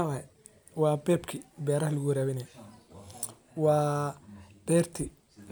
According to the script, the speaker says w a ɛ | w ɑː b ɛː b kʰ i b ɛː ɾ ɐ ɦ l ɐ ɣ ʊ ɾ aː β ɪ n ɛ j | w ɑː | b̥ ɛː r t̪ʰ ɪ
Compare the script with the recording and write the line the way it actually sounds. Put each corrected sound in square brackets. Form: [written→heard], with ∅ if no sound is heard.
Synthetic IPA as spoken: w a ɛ | w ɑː b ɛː b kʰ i b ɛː ɾ ɐ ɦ l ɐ ɣ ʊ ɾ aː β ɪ n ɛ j | w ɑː | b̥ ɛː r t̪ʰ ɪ